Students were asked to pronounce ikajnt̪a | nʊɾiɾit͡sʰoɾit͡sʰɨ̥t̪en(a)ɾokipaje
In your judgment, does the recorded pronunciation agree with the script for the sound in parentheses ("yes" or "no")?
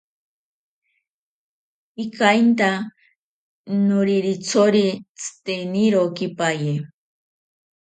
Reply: no